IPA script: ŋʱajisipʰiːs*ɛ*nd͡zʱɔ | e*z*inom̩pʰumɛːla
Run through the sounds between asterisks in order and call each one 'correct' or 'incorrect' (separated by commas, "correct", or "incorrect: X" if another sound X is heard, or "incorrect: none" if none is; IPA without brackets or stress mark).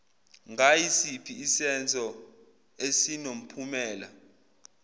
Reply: correct, incorrect: s